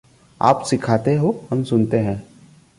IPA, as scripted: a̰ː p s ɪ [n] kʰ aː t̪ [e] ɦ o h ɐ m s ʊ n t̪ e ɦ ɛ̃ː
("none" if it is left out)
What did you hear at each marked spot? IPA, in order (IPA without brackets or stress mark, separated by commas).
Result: none, e